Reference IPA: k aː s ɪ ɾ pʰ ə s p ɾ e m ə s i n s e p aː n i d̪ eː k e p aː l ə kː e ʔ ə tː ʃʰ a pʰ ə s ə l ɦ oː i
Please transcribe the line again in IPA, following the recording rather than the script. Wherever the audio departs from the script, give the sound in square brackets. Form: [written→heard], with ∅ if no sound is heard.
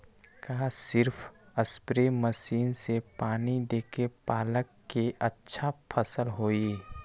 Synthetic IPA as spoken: k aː s ɪ ɾ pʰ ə s p ɾ e m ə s [i→iː] n s e p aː n i d̪ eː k e p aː l ə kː e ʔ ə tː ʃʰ a pʰ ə s ə l ɦ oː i